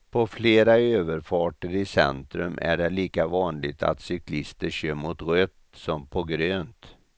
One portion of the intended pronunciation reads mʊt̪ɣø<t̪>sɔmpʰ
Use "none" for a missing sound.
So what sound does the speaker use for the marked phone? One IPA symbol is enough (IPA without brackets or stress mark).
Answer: t̪